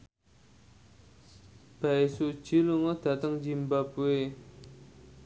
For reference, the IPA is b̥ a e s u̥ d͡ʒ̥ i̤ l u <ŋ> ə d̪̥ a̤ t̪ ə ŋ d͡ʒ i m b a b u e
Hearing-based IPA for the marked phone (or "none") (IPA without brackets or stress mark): ŋ